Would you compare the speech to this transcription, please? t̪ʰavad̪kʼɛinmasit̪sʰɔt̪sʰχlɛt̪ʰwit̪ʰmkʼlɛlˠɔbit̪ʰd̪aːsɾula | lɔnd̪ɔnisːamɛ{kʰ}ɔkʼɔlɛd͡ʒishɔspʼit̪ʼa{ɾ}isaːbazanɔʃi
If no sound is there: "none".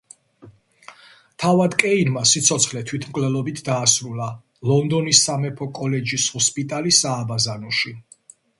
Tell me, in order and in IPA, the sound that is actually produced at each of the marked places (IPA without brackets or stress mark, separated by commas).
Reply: pʰ, l